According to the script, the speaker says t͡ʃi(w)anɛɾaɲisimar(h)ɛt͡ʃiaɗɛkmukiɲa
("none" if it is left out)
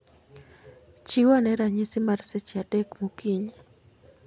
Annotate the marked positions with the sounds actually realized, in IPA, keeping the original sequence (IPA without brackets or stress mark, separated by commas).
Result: w, s